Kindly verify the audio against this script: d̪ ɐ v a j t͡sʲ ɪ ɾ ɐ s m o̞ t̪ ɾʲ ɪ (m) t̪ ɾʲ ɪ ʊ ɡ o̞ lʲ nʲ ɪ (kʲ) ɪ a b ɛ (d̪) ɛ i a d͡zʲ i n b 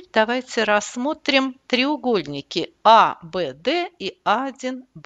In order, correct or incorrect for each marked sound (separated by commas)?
correct, correct, correct